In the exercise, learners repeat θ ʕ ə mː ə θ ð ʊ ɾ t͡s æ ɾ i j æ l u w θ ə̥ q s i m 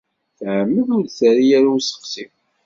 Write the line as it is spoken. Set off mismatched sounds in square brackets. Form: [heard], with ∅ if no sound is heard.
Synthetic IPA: θ ʕ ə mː ə [∅] ð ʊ ɾ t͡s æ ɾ i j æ [ɾ] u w [s] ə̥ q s i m